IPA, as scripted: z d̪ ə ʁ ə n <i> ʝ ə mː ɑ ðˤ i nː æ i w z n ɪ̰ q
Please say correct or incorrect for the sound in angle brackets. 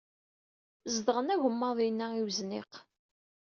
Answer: incorrect